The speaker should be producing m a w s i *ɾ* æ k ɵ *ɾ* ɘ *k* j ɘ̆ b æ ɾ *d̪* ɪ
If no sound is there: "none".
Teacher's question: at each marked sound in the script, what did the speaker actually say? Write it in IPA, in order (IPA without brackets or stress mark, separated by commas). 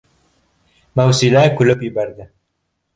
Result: l, l, p, d̪